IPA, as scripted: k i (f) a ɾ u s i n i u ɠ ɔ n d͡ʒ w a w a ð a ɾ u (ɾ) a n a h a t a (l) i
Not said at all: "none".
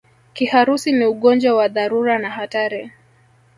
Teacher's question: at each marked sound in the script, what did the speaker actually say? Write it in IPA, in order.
h, ɾ, ɾ

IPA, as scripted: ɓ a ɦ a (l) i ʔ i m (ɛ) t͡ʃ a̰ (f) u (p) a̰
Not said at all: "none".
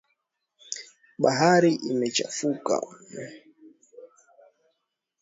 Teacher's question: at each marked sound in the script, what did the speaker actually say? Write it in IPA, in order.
ɾ, ɛ, f, k

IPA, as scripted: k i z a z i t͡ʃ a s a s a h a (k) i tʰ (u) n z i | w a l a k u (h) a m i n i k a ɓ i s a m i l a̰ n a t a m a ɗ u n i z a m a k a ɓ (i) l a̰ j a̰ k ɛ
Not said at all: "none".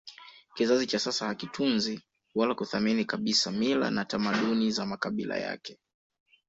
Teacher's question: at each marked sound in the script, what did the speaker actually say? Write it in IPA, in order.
k, u, θ, i

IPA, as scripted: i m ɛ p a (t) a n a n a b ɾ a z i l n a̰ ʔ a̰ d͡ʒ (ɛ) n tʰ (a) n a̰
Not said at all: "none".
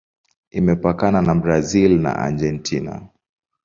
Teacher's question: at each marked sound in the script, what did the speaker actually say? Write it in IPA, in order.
k, ɛ, i

